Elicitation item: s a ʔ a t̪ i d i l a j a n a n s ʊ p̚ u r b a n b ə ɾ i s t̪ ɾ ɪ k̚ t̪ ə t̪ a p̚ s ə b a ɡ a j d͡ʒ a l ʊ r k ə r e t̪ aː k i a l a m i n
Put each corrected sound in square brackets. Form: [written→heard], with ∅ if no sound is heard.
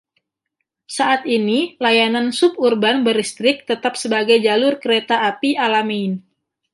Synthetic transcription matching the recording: s a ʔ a t̪ i [d→n] i l a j a n a n s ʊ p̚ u r b a n b ə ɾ i s t̪ ɾ ɪ k̚ t̪ ə t̪ a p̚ s ə b a ɡ a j d͡ʒ a l ʊ r k ə [r→ɾ] e t̪ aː [k→p] i a l a m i n